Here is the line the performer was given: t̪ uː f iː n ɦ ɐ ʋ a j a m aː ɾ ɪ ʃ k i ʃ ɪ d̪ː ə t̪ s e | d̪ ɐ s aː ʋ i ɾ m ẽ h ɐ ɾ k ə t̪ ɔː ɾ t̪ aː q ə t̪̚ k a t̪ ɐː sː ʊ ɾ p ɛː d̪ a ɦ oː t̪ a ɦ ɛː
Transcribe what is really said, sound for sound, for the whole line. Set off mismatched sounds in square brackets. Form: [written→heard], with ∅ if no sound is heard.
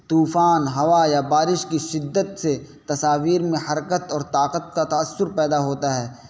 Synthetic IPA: t̪ uː f [iː→aː] n ɦ ɐ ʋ a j a [m→b] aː ɾ ɪ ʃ k i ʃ ɪ d̪ː ə t̪ s e | [d̪→t̪] ɐ s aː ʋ [i→iː] ɾ m ẽ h ɐ ɾ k ə t̪ ɔː ɾ t̪ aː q ə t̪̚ k a t̪ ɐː sː ʊ ɾ p ɛː d̪ a ɦ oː t̪ a ɦ ɛː